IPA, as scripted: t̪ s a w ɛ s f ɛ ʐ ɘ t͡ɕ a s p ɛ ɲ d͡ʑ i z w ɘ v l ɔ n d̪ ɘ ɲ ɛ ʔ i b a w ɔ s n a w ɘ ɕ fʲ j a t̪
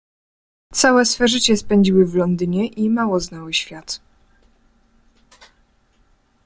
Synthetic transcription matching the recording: t̪ s a w ɛ s f ɛ ʐ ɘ t͡ɕ ɛ s p ɛ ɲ d͡ʑ i w ɘ v l ɔ n d̪ ɘ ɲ ɛ ʔ i m a w ɔ z n a w ɘ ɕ fʲ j a t̪

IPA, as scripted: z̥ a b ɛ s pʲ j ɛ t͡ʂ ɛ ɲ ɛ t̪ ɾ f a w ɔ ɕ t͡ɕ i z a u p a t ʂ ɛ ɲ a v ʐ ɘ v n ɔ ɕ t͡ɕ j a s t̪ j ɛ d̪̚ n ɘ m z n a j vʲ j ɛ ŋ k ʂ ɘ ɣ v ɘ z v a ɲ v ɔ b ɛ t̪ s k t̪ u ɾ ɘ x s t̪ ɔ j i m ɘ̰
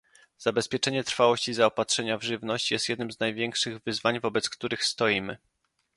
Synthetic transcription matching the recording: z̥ a b ɛ s pʲ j ɛ t͡ʂ ɛ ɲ ɛ t̪ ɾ f a w ɔ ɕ t͡ɕ i z a ɔ p a t ʂ ɛ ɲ a v ʐ ɘ v n ɔ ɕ t͡ɕ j ɛ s t̪ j ɛ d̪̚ n ɘ m z n a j vʲ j ɛ ŋ k ʂ ɘ ɣ v ɘ z v a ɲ v ɔ b ɛ t̪ s k t̪ u ɾ ɘ x s t̪ ɔ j i m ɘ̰

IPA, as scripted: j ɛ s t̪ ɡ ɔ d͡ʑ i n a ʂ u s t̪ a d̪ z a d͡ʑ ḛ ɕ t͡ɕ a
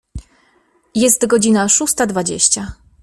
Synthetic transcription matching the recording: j ɛ s t̪ ɡ ɔ d͡ʑ i n a ʂ u s t̪ a d̪ v a d͡ʑ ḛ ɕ t͡ɕ a

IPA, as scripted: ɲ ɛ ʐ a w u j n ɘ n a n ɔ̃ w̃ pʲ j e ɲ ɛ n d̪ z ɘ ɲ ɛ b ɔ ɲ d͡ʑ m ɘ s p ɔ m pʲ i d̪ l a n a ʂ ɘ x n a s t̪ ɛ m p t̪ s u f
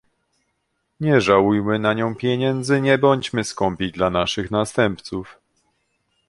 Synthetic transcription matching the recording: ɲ ɛ ʐ a w u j m ɘ n a ɲ ɔ̃ w̃ pʲ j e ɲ ɛ n d̪ z ɘ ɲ ɛ b ɔ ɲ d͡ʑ m ɘ s k ɔ m pʲ i d̪ l a n a ʂ ɘ x n a s t̪ ɛ m p t̪ s u f

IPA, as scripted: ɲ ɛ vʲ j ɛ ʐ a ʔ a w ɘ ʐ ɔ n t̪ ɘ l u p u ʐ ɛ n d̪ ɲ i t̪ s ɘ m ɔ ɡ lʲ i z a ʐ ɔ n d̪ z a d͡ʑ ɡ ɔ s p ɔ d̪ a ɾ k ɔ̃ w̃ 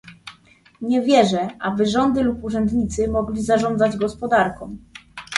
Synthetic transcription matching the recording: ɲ ɛ vʲ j ɛ ʐ ɛ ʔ a b ɘ ʐ ɔ n d̪ ɘ l u p u ʐ ɛ n d̪ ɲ i t̪ s ɘ m ɔ ɡ lʲ i z a ʐ ɔ n d̪ z a d͡ʑ ɡ ɔ s p ɔ d̪ a ɾ k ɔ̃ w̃

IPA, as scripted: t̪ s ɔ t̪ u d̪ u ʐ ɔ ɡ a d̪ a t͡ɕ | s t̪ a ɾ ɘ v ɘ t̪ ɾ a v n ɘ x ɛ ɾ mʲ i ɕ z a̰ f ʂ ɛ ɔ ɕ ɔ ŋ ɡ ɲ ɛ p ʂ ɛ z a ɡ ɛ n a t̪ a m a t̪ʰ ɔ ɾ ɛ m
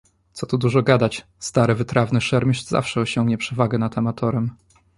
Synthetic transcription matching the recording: t̪ s ɔ t̪ u d̪ u ʐ ɔ ɡ a d̪ a t͡ɕ | s t̪ a ɾ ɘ v ɘ t̪ ɾ a v n ɘ ʂ ɛ ɾ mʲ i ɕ z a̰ f ʂ ɛ ɔ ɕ ɔ ŋ ɡ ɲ ɛ p ʂ ɛ v a ɡ ɛ n a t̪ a m a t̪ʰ ɔ ɾ ɛ m

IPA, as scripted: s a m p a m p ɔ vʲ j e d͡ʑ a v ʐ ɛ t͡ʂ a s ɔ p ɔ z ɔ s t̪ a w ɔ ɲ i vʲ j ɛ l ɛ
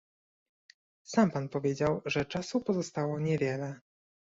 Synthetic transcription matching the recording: s a m p a n p ɔ vʲ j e d͡ʑ a w ʐ ɛ t͡ʂ a s u p ɔ z ɔ s t̪ a w ɔ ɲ ɛ vʲ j ɛ l ɛ

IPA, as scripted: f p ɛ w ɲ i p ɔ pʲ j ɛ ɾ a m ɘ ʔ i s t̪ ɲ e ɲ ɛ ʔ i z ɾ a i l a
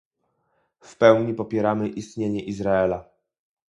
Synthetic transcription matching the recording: f p ɛ w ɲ i p ɔ pʲ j ɛ ɾ a m ɘ ʔ i s t̪ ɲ e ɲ ɛ ʔ i z ɾ a ɛ l a

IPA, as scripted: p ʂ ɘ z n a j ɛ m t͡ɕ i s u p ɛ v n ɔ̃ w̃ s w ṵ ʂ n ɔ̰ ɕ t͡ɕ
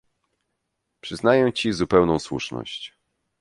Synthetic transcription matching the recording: p ʂ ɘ z n a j ɛ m t͡ɕ i z u p ɛ w n ɔ̃ w̃ s w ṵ ʂ n ɔ̰ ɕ t͡ɕ

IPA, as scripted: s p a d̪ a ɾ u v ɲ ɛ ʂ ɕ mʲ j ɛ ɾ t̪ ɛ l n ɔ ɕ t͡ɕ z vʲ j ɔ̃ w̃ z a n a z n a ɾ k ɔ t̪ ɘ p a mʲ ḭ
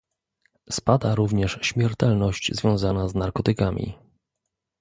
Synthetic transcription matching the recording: s p a d̪ a ɾ u v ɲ ɛ ʂ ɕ mʲ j ɛ ɾ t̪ ɛ l n ɔ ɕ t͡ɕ z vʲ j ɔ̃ w̃ z a n a z n a ɾ k ɔ t̪ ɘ k a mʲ ḭ

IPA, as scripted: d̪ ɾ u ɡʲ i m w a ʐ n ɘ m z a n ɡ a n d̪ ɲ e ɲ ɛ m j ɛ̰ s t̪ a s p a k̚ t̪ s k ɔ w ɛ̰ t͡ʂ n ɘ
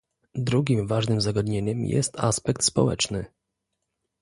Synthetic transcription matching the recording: d̪ ɾ u ɡʲ i m v a ʐ n ɘ m z a ɡ a d̪ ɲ e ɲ ɛ m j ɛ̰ s t̪ a s p ɛ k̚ t̪ s p ɔ w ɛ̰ t͡ʂ n ɘ

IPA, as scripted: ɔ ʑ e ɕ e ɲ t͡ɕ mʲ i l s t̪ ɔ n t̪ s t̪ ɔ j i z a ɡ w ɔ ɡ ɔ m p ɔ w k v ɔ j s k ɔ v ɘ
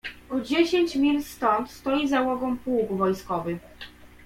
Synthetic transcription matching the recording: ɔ d͡ʑ e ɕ e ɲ t͡ɕ mʲ i l s t̪ ɔ n t̪ s t̪ ɔ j i z a w ɔ ɡ ɔ m p u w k v ɔ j s k ɔ v ɘ

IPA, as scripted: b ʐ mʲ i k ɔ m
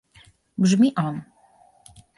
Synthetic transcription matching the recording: b ʐ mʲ i ʔ ɔ n

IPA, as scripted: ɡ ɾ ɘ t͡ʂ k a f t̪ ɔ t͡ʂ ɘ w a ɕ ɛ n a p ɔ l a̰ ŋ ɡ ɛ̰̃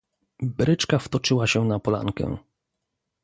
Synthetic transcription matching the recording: b ɾ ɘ t͡ʂ k a f t̪ ɔ t͡ʂ ɘ w a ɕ ɛ n a p ɔ l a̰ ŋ k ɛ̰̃

